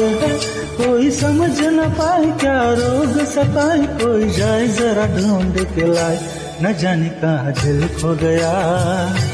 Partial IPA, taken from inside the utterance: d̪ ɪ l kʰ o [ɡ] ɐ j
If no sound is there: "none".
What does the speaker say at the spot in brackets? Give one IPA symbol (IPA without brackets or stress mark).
ɡ